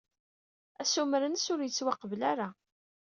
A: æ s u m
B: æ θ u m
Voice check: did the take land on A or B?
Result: A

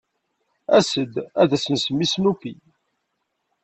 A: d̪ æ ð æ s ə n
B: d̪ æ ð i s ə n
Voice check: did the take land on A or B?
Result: A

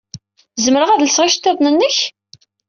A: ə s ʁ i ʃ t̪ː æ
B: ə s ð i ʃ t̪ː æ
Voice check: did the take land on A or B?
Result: A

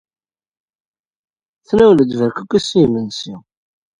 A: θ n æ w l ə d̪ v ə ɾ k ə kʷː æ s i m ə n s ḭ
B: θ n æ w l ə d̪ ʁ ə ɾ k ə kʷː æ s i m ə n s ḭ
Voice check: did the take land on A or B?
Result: A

